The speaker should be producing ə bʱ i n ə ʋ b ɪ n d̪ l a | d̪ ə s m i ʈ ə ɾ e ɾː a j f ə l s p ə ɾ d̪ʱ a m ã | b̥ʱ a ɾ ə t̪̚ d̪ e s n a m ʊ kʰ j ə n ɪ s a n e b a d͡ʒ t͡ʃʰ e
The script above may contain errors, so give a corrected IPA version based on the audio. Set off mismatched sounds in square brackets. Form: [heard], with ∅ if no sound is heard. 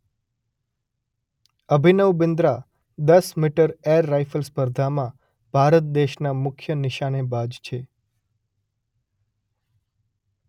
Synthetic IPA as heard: ə bʱ i n ə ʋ b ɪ n d̪ [ɾ] a | d̪ ə s m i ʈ ə ɾ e ɾː a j f ə l s p ə ɾ d̪ʱ a m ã | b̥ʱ a ɾ ə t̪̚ d̪ e [ʃ] n a m ʊ kʰ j ə n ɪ [ʃ] a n e b a d͡ʒ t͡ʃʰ e

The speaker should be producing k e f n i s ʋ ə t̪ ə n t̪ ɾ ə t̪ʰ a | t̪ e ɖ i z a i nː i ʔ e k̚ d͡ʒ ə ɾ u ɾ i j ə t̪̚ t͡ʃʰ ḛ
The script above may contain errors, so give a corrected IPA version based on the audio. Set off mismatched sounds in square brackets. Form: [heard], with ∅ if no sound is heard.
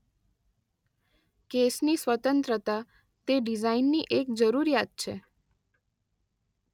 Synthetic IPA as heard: k e [s] n i s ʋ ə t̪ ə n t̪ ɾ ə [t̪] a | t̪ e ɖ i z a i nː i ʔ e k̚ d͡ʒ ə ɾ u ɾ i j [a] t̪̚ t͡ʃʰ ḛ

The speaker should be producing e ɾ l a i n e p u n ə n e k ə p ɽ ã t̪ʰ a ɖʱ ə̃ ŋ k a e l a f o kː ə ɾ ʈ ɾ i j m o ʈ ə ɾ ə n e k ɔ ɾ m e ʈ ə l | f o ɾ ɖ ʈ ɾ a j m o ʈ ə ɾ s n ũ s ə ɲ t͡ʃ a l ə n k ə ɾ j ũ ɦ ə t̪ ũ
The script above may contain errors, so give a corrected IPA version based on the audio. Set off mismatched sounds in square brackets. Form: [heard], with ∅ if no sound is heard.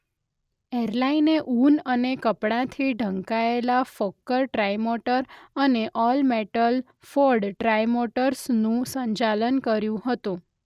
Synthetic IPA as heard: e ɾ l a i n e [ʔ] u n ə n e k ə p ɽ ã t̪ʰ [i] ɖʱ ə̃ ŋ k a e l a f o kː ə ɾ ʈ ɾ [a] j m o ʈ ə ɾ ə n e [ʔ] ɔ [l] m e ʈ ə l | f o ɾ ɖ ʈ ɾ a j m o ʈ ə ɾ s n ũ s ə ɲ t͡ʃ a l ə n k ə ɾ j ũ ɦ ə t̪ ũ

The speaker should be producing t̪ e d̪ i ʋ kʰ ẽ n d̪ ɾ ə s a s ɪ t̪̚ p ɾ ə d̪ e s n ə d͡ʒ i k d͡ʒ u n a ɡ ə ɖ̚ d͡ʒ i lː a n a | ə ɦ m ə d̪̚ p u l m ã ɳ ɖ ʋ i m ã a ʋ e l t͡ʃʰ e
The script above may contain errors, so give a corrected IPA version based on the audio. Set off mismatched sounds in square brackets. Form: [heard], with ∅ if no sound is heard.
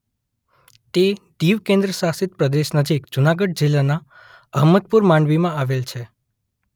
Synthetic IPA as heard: t̪ e d̪ i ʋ [k] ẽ n d̪ ɾ ə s a s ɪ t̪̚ p ɾ ə d̪ e [ʃ] n ə d͡ʒ i k d͡ʒ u n a ɡ ə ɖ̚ d͡ʒ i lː a n a | ə ɦ m ə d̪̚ p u [ɾ] m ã ɳ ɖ ʋ i m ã a ʋ e l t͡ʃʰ e

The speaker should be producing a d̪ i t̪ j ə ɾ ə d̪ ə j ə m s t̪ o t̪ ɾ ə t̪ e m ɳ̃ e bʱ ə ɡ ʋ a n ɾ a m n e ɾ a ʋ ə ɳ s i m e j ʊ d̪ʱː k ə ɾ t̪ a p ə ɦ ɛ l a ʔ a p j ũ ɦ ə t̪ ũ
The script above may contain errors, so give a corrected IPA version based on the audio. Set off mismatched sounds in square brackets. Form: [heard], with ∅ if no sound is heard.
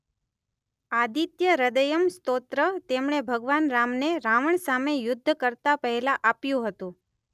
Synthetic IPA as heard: a d̪ i t̪ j ə ɾ ə d̪ ə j ə m s t̪ o t̪ ɾ ə t̪ e m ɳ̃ e bʱ ə ɡ ʋ a n ɾ a m n e ɾ a ʋ ə ɳ s [a] m e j ʊ d̪ʱː k ə ɾ t̪ a p ə ɦ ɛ l a ʔ a p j ũ ɦ ə t̪ ũ

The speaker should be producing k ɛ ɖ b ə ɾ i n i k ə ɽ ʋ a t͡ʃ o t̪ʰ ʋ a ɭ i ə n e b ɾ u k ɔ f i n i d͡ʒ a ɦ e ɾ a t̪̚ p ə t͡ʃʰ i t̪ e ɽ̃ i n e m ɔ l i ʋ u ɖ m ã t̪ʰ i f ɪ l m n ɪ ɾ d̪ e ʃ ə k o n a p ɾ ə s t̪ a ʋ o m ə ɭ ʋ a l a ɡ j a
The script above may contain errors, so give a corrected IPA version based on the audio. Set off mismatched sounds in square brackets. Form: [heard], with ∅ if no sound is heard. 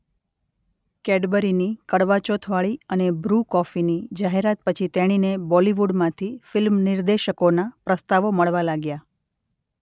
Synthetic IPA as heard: k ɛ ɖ b ə ɾ i n i k ə ɽ ʋ a t͡ʃ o t̪ʰ ʋ a ɭ i ə n e b ɾ u k ɔ f i n i d͡ʒ a ɦ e ɾ a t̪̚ p ə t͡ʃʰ i t̪ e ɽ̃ i n e [b] ɔ l i ʋ u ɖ m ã t̪ʰ i f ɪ l m n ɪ ɾ d̪ e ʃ ə k o n a p ɾ ə s t̪ a ʋ o m ə ɭ ʋ a l a ɡ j a

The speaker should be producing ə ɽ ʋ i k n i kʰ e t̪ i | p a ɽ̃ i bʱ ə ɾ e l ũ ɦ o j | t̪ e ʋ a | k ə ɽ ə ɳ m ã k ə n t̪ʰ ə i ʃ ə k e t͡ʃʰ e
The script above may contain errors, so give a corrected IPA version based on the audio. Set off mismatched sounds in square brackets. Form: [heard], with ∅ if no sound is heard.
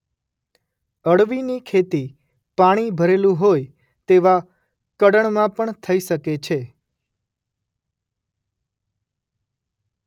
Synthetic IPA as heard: ə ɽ ʋ i [∅] n i kʰ e t̪ i | p a ɽ̃ i bʱ ə ɾ e l ũ ɦ o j | t̪ e ʋ a | k ə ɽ ə ɳ m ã [p] ə [ɳ] t̪ʰ ə i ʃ ə k e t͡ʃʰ e

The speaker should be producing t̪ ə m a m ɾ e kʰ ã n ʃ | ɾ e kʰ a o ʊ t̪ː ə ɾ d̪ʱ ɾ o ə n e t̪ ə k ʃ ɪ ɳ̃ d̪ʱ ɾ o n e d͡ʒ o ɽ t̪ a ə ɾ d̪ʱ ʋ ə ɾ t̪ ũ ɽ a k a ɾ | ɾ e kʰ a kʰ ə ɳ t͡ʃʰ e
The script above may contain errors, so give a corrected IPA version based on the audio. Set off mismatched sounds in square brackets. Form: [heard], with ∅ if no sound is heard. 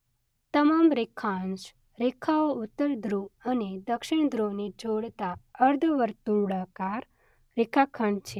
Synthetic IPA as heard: t̪ ə m a m ɾ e kʰ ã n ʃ | ɾ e kʰ a o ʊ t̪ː ə ɾ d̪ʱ ɾ [u] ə n e [d̪] ə k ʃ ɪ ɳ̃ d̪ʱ ɾ o n e d͡ʒ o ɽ t̪ a ə ɾ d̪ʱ ʋ ə ɾ t̪ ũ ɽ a k a ɾ | ɾ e kʰ a kʰ ə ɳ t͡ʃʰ e

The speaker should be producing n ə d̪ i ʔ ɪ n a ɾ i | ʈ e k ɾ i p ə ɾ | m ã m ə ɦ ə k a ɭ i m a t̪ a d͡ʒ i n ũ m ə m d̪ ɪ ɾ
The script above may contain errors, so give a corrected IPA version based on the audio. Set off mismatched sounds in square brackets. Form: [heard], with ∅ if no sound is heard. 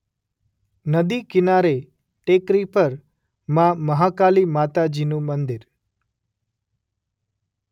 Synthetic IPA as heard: n ə d̪ i [k] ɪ n a ɾ [e] | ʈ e k ɾ i p ə ɾ | m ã m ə ɦ [a] k a [l] i m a t̪ a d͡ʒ i n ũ m ə [n] d̪ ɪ ɾ

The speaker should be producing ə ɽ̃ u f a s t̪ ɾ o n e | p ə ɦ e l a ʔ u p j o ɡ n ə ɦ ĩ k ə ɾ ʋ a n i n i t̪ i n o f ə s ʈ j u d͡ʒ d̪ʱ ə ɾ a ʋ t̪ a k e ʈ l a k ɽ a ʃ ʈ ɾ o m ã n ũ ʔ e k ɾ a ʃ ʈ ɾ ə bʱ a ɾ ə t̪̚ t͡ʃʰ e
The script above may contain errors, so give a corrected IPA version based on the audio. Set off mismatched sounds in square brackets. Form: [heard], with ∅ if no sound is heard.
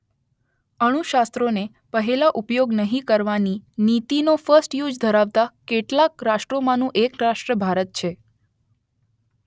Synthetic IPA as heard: ə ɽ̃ u [ʃ] a s t̪ ɾ o n e | p ə ɦ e l a ʔ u p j o ɡ n ə ɦ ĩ k ə ɾ ʋ a n i n i t̪ i n o f ə s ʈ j u d͡ʒ d̪ʱ ə ɾ a ʋ t̪ a k e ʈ l a k [ɾ] a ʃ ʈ ɾ o m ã n ũ ʔ e k ɾ a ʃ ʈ ɾ ə bʱ a ɾ ə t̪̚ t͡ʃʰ e

